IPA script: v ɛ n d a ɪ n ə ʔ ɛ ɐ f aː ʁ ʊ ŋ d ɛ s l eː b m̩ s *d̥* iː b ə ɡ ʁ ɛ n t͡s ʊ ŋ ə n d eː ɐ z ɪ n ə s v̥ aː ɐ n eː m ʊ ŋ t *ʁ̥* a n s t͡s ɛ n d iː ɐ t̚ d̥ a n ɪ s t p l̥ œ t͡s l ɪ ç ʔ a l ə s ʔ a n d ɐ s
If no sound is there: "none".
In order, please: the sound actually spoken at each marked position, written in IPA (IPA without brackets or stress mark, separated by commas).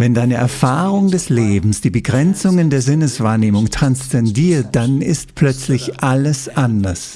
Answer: d̥, ʁ̥